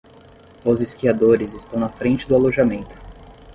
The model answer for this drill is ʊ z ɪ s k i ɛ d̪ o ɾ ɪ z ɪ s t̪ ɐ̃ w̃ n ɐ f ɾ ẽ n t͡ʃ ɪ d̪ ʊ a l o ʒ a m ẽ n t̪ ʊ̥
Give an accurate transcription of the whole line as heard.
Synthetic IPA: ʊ z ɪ s k i a d̪ o ɾ ɪ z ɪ s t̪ ɐ̃ w̃ n ɐ f ɾ ẽ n t͡ʃ ɪ d̪ ʊ a l o ʒ a m ẽ n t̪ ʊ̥